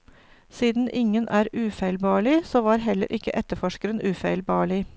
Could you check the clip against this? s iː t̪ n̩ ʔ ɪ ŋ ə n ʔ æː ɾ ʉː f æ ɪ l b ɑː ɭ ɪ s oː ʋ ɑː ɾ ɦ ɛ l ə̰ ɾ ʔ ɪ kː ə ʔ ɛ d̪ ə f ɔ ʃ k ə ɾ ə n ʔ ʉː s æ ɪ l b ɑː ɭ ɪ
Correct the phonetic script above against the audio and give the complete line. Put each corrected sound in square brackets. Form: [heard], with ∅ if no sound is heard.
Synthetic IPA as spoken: s iː [d̪] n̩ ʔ ɪ ŋ ə n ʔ æː ɾ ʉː f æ ɪ l b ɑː ɭ ɪ s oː ʋ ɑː ɾ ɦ ɛ l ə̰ ɾ ʔ ɪ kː ə ʔ ɛ [t̪] ə f ɔ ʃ k ə ɾ ə n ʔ ʉː [f] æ ɪ l b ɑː ɭ ɪ